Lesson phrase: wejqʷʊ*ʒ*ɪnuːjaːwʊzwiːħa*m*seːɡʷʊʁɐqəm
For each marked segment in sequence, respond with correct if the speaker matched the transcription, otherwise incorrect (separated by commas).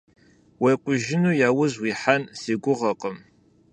correct, incorrect